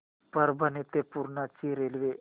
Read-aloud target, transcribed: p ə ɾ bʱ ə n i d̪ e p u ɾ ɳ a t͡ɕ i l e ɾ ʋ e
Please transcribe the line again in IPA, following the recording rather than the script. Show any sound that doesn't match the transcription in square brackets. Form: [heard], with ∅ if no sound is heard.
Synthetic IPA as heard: p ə ɾ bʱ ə n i [t̪] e p u ɾ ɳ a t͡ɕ i [ɾ] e [l] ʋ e